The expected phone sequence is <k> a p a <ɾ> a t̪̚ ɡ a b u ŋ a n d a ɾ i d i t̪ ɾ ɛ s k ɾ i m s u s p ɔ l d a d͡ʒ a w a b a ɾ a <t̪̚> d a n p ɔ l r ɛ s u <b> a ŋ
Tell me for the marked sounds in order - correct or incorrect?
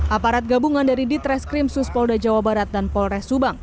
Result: incorrect: ʔ, correct, correct, correct

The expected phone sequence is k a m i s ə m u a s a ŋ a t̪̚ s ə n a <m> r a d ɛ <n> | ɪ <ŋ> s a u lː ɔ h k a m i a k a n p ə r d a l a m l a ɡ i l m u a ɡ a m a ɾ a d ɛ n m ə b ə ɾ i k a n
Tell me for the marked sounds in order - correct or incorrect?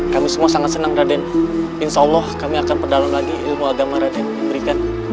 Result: incorrect: ŋ, correct, incorrect: n

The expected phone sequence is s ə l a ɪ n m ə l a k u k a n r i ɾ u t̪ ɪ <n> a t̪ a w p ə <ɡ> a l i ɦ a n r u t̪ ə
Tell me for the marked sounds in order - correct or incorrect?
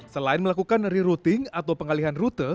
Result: incorrect: ŋ, incorrect: ŋ

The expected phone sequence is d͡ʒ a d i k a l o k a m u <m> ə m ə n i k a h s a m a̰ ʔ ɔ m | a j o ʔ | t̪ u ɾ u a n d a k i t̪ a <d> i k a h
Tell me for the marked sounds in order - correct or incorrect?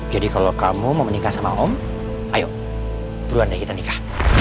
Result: correct, incorrect: n

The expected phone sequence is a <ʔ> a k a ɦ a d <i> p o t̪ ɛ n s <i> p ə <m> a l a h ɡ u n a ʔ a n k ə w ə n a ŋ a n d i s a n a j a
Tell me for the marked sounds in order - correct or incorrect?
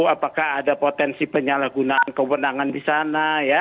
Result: incorrect: p, incorrect: a, correct, incorrect: ɲ

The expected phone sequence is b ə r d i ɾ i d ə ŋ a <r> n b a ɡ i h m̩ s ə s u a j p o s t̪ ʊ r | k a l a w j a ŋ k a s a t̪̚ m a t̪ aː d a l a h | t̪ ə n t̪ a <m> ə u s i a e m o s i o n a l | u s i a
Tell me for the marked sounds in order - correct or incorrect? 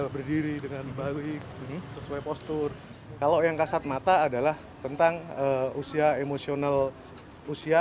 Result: incorrect: none, incorrect: ŋ

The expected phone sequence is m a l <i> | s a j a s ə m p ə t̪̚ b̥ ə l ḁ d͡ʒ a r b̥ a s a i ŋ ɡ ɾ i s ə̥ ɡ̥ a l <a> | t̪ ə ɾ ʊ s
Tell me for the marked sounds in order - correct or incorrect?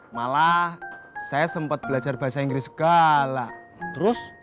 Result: incorrect: a, correct

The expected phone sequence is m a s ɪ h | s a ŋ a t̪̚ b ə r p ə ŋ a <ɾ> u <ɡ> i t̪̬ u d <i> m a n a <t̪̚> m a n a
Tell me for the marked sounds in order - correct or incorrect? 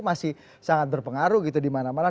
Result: correct, correct, correct, incorrect: none

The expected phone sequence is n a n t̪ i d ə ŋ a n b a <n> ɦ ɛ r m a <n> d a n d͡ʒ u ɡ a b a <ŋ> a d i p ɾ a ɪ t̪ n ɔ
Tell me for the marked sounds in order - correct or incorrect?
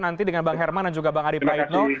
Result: incorrect: ŋ, correct, correct

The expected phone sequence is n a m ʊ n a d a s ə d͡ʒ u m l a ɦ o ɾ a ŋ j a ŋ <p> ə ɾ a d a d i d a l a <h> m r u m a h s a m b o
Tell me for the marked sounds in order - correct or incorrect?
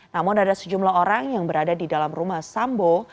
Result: incorrect: b, incorrect: none

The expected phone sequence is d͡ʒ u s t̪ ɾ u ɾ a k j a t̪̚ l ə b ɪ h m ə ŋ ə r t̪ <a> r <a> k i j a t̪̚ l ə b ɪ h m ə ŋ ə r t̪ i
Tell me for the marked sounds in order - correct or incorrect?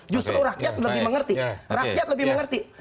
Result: incorrect: i, correct

